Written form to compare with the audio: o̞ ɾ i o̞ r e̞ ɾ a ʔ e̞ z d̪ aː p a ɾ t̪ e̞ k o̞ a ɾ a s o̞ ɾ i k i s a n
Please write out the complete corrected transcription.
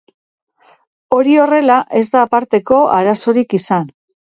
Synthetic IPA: o̞ ɾ i o̞ r e̞ l a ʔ e̞ z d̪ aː p a ɾ t̪ e̞ k o̞ a ɾ a s o̞ ɾ i k i s a n